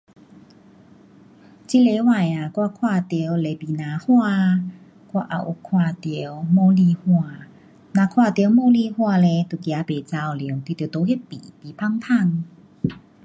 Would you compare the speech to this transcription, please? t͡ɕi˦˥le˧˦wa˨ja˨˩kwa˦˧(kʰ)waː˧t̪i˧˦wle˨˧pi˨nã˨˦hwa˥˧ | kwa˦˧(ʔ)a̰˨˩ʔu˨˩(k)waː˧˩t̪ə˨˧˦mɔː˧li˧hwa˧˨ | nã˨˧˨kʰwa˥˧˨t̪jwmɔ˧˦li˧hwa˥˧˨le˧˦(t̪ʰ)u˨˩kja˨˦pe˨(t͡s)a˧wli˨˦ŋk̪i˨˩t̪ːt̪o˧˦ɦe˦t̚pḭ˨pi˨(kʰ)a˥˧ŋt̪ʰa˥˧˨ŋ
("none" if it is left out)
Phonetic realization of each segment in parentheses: kʰ, ʔ, kʰ, t̪, t͡s, pʰ

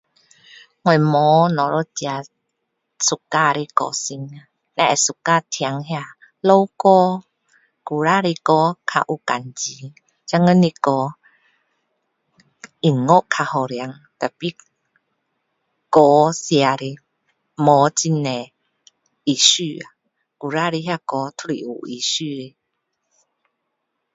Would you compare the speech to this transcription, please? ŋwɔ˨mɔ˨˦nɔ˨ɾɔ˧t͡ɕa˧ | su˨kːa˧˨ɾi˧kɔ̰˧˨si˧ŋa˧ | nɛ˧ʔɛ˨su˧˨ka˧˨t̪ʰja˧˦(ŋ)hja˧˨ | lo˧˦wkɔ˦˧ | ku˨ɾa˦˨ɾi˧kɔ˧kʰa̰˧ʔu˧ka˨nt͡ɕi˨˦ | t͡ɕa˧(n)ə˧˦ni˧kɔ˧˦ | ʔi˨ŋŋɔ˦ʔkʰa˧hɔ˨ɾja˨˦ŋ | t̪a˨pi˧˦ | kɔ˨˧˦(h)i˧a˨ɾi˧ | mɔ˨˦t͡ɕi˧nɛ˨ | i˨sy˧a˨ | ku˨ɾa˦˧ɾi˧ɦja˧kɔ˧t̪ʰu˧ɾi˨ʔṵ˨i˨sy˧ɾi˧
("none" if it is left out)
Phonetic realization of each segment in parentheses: ŋ, ŋ, s

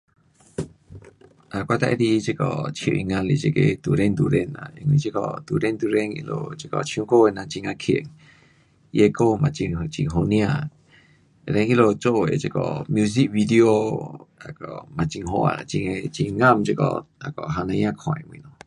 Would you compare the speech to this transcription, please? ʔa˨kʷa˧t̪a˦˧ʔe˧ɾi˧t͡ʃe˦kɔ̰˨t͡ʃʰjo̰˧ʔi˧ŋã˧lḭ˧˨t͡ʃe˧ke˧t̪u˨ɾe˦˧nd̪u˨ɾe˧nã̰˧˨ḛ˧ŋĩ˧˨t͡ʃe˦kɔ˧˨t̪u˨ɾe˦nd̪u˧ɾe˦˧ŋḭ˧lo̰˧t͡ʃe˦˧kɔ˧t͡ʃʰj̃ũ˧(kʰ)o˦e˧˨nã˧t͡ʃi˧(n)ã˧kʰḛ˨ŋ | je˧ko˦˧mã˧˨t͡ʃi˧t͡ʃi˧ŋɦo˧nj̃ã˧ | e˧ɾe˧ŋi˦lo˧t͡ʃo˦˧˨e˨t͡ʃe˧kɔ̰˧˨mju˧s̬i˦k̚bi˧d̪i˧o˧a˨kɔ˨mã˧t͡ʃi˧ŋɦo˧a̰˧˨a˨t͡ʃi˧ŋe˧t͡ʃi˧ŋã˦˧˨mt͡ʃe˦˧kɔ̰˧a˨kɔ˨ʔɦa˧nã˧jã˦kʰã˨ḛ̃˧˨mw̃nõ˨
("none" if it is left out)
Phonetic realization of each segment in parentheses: k, ŋ

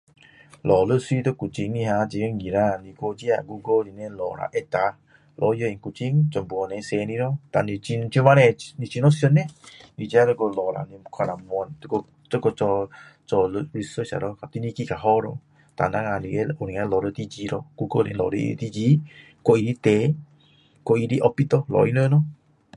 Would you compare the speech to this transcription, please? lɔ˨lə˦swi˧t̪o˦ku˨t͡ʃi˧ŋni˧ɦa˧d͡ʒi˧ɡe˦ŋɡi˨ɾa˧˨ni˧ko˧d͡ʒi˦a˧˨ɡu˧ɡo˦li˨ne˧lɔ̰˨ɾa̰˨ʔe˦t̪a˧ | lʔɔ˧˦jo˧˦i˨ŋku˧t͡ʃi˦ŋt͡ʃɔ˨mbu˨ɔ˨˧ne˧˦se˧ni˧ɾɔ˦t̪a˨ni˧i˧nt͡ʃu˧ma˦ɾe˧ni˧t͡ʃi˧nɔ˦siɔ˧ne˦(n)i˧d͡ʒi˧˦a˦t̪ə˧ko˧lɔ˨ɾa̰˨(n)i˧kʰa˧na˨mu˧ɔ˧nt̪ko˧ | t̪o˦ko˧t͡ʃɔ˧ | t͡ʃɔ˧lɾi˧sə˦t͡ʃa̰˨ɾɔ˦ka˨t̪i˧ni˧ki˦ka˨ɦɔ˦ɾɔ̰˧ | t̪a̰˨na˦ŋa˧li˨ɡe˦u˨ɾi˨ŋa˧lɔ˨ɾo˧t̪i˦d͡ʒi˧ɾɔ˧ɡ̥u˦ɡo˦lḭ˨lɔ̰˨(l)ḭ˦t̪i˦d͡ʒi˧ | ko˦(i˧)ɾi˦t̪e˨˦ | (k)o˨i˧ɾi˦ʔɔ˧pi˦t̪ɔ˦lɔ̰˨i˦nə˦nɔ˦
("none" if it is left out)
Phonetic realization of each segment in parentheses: n, n, ɾ, i˧, k

